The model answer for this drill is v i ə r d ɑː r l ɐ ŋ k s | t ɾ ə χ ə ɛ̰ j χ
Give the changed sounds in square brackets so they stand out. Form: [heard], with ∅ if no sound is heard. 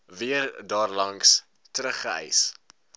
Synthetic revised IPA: v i ə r d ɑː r l ɐ ŋ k s | t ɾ ə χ ə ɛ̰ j [s]

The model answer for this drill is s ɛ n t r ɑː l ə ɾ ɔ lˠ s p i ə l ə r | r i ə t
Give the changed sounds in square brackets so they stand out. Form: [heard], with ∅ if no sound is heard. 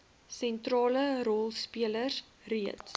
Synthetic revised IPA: s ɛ n t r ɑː l ə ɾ ɔ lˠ s p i ə l ə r | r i ə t

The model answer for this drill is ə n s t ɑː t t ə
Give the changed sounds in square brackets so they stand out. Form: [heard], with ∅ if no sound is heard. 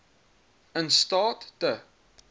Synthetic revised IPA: ə n s t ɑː t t ə

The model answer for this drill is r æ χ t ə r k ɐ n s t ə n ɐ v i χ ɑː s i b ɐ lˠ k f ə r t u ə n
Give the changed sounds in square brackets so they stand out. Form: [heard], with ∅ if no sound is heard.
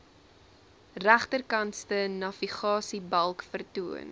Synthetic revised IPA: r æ χ t ə r k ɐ n s t ə n ɐ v i χ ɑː s i b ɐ lˠ k f ə r t u ə n

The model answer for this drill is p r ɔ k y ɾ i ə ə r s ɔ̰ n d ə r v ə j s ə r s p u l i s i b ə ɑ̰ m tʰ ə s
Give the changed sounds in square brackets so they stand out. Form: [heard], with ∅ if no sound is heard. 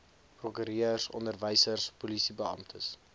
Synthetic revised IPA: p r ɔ k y ɾ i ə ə r s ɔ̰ n d ə r v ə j s ə r s p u l i s i b ə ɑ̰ m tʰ ə s

